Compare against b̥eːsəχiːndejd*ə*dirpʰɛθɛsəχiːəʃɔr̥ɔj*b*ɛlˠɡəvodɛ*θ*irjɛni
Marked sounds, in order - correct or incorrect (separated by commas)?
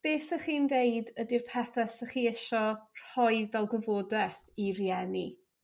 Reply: correct, incorrect, correct